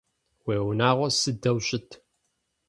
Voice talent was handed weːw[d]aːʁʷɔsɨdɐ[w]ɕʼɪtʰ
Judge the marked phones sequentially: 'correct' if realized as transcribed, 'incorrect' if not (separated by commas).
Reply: incorrect, correct